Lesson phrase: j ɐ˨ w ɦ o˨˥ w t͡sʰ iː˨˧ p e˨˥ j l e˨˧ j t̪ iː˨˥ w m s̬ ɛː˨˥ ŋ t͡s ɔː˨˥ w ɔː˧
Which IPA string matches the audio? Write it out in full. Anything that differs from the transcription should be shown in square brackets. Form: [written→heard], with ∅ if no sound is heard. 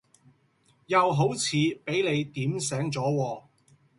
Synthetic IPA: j ɐ˨ w ɦ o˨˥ w t͡sʰ iː˨˧ p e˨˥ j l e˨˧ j t̪ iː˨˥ [w→∅] m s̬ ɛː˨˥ ŋ t͡s ɔː˨˥ w ɔː˧